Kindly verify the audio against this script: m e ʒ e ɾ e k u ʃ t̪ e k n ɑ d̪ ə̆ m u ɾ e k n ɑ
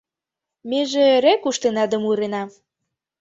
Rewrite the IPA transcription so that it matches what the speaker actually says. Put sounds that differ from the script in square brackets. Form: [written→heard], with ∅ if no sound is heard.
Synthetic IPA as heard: m e ʒ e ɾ e k u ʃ t̪ e [k→∅] n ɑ d̪ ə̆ m u ɾ e [k→∅] n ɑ

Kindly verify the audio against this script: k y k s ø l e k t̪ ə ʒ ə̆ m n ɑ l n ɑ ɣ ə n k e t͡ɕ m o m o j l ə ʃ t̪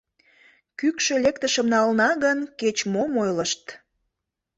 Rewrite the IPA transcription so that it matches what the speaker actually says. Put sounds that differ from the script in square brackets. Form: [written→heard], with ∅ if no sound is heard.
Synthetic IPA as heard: k y k [s→ʃ] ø l e k t̪ ə [ʒ→ʃ] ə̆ m n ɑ l n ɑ ɣ ə n k e t͡ɕ m o m o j l ə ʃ t̪

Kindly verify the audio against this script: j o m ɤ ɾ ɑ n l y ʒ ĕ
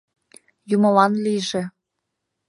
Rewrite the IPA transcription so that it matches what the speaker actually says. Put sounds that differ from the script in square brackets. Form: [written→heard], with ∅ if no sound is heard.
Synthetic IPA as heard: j [o→u] m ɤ [ɾ→l] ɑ n l [y→i] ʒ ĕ

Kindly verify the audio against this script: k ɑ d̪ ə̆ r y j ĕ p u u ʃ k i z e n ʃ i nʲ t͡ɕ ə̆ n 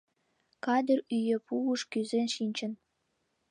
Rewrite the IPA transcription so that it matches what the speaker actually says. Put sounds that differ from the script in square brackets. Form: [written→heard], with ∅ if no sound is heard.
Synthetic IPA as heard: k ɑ d̪ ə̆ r y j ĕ p u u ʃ k [i→y] z e n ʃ i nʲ t͡ɕ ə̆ n

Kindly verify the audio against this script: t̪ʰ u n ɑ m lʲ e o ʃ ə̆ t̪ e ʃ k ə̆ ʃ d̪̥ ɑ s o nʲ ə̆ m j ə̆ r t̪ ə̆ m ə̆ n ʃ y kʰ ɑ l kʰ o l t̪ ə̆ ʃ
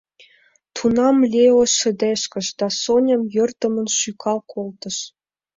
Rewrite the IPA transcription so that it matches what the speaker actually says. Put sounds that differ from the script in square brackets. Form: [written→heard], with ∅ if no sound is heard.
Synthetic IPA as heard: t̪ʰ u n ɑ m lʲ e o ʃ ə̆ [t̪→d̪] e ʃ k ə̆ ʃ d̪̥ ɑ s o nʲ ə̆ m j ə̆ r t̪ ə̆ m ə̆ n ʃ y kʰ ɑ l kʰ o l t̪ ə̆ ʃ

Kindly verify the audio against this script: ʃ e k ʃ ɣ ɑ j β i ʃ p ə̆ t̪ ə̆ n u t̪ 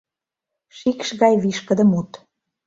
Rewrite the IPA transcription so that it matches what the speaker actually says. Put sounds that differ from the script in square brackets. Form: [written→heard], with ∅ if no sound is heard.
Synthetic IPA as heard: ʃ [e→i] k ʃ ɣ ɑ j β i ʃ [p→k] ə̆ [t̪→d̪] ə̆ [n→m] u t̪

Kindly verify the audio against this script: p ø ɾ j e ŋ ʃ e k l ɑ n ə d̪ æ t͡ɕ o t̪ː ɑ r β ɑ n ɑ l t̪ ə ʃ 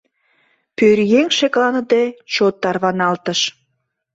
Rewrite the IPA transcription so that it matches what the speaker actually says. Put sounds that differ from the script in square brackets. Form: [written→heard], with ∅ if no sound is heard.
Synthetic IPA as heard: p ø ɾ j e ŋ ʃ e k l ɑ n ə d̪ [æ→e] t͡ɕ o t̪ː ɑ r β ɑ n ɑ l t̪ ə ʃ

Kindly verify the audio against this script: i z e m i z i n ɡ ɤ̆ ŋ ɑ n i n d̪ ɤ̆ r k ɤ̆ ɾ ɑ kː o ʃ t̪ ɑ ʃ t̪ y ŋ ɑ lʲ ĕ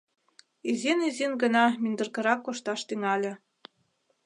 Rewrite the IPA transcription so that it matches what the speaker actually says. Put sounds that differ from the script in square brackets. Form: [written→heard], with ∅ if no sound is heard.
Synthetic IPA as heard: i z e [m→n] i z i n ɡ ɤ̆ [ŋ→n] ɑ [n→m] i n d̪ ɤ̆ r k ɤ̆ ɾ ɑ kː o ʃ t̪ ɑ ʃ t̪ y ŋ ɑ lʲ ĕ

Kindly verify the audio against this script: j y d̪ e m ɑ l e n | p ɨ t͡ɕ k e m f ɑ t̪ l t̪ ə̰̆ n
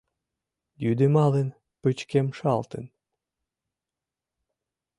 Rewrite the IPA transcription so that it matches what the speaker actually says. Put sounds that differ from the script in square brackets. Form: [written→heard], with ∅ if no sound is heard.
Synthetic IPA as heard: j y d̪ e m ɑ l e n | p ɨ t͡ɕ k e m [f→ʃ] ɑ [t̪→∅] l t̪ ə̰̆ n

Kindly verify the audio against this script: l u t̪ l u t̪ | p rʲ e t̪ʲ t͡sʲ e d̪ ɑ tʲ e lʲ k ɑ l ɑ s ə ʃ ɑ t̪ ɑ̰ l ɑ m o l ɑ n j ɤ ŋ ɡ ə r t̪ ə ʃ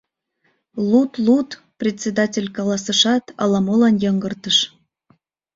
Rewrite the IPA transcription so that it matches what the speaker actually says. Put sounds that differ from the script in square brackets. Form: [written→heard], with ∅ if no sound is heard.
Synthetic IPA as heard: l u t̪ l u t̪ | p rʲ e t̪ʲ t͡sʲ e d̪ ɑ tʲ e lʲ k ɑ l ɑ s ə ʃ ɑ t̪ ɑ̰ l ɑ m o l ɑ n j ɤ ŋ ɡ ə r t̪ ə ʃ

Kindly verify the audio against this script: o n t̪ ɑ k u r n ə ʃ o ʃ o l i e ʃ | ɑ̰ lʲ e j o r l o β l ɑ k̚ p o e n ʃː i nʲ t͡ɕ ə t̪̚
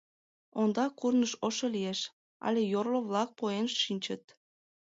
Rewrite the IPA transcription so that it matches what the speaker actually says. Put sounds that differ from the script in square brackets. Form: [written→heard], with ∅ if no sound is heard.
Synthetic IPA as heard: o n [t̪→d̪] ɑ k u r n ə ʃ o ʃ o l i e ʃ | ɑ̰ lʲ e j o r l o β l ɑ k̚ p o e n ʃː i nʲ t͡ɕ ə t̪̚

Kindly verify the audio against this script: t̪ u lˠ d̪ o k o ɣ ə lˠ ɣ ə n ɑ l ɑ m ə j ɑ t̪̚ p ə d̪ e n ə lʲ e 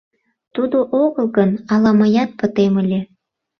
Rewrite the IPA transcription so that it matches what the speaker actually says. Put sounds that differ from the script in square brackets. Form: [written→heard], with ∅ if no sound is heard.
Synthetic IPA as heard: t̪ u [lˠ→∅] d̪ o [k→ʔ] o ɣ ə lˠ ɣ ə n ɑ l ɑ m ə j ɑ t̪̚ p ə [d̪→t̪] e [n→m] ə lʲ e

